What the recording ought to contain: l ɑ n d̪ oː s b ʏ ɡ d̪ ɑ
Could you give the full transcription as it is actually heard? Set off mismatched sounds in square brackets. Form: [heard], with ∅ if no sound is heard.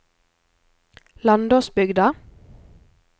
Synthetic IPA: l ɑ n d̪ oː s b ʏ ɡ d̪ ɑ